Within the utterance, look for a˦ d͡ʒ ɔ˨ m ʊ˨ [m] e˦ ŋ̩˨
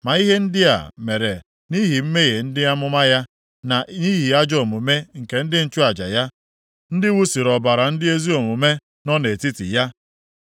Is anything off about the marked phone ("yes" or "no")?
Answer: no